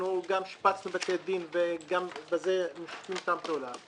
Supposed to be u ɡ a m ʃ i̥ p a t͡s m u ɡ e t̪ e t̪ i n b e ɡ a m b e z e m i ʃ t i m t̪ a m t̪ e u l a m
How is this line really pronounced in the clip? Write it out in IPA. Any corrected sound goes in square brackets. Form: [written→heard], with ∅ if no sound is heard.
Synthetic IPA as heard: u ɡ a m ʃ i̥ p a t͡s [m→n] u [ɡ→b] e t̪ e [t̪→d̪] i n [b→v] e ɡ a m b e z e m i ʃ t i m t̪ a m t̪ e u l a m